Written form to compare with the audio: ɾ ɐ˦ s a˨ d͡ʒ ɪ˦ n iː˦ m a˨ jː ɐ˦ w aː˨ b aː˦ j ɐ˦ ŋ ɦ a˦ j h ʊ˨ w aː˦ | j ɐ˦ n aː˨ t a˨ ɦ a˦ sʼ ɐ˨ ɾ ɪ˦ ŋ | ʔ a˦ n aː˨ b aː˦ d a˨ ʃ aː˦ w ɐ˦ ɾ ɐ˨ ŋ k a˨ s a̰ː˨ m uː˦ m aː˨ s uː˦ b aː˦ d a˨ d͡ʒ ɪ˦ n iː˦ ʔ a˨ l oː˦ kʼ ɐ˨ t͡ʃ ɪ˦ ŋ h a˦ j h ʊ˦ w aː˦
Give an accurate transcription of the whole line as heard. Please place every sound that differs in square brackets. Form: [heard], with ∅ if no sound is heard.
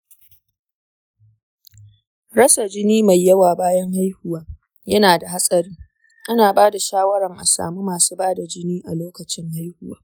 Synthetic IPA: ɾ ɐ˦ s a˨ d͡ʒ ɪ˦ n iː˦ m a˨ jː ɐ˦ w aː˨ b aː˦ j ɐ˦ ŋ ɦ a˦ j h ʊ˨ w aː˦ | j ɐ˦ n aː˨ [d] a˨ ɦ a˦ sʼ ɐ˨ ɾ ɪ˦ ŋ | ʔ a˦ n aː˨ b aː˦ d a˨ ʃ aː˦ w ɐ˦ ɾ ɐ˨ ŋ [ʔ] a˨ s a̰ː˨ m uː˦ m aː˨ s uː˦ b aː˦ d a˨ d͡ʒ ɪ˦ n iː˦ ʔ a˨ l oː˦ [k] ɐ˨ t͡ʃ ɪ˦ ŋ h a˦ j h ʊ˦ w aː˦